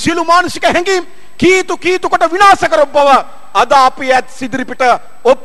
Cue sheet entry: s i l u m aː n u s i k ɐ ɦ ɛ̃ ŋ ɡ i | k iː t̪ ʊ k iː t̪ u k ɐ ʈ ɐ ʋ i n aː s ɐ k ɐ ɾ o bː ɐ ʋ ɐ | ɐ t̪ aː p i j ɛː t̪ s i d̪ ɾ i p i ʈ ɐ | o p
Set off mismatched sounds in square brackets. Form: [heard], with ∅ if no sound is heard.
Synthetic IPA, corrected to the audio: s i l u m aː n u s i k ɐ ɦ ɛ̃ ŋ ɡ i | k iː t̪ [u] k iː t̪ u k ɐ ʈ ɐ ʋ i n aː s ɐ k ɐ ɾ o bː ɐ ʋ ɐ | ɐ [d̪] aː p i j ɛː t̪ s i d̪ ɾ i p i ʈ ɐ | o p